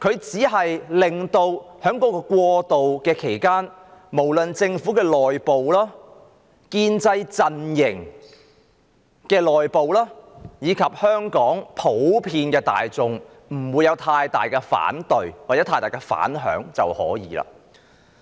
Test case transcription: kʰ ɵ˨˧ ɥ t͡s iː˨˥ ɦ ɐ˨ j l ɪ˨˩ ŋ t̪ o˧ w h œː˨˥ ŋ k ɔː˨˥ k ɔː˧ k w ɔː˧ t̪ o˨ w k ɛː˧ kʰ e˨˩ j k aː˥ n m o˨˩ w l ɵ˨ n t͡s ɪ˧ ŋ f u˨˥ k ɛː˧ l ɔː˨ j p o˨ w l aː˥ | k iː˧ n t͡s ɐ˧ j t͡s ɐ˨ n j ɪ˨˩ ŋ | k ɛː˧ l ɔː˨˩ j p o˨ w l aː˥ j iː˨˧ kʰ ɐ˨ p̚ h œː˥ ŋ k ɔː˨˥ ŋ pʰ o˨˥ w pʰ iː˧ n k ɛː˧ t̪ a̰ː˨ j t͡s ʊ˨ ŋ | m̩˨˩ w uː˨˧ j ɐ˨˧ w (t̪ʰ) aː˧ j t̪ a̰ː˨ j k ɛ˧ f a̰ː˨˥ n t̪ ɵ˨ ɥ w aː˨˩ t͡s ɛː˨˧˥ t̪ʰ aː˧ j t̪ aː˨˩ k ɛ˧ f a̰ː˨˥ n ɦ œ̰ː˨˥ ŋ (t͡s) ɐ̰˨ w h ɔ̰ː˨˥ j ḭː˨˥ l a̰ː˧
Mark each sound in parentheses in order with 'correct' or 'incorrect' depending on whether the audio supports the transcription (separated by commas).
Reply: correct, correct